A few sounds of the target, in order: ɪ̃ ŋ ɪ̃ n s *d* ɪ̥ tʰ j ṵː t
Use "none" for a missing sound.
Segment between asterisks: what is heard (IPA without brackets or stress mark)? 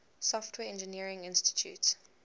t